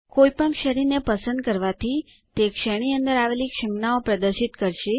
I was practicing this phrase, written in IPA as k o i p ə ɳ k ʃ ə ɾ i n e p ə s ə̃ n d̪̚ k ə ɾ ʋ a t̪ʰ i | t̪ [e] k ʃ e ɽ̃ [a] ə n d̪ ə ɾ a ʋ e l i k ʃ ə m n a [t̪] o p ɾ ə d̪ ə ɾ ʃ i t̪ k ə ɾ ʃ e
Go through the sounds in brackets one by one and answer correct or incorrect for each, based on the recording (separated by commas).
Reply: correct, incorrect, incorrect